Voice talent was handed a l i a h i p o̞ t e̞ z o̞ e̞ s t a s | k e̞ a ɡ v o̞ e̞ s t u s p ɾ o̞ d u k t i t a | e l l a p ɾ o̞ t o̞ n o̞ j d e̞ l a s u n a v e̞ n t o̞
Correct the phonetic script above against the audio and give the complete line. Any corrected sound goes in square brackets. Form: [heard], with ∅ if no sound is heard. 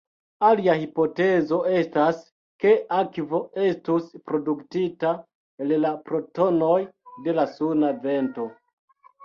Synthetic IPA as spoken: a l i a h i p o̞ t e̞ z o̞ e̞ s t a s | k e̞ a [k] v o̞ e̞ s t u s p ɾ o̞ d u k t i t a | e l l a p ɾ o̞ t o̞ n o̞ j d e̞ l a s u n a v e̞ n t o̞